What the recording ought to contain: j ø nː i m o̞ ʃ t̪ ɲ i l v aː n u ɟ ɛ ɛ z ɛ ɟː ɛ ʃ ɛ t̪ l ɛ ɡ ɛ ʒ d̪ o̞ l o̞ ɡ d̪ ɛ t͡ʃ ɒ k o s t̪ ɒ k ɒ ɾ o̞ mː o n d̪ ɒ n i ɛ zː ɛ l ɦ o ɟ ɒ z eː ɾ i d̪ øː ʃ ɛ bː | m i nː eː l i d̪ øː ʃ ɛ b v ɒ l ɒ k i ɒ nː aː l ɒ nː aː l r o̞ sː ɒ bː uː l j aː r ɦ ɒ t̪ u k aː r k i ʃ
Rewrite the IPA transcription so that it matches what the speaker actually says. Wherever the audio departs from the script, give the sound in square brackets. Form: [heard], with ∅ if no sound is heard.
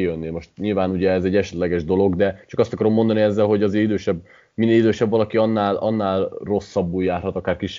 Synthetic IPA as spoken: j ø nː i m o̞ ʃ t̪ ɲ i l v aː n u ɟ ɛ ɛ z ɛ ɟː ɛ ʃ ɛ t̪ l ɛ ɡ ɛ ʒ d̪ o̞ l o̞ ɡ d̪ ɛ t͡ʃ ɒ k [ɒ] s t̪ ɒ k ɒ ɾ o̞ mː o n d̪ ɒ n i ɛ zː ɛ l ɦ o ɟ ɒ z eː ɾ i d̪ øː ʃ ɛ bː | m i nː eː l i d̪ øː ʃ ɛ b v ɒ l ɒ k i ɒ nː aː l ɒ nː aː l r o̞ sː ɒ bː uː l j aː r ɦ ɒ t̪ [ɒ] k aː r k i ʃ